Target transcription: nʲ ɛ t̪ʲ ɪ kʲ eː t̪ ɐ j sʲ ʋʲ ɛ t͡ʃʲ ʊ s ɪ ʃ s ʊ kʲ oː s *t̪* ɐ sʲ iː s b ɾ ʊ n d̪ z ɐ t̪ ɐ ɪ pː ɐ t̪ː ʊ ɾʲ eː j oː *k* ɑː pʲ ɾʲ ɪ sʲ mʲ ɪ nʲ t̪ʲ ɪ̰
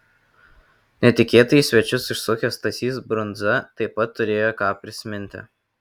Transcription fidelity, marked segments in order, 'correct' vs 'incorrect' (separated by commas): correct, correct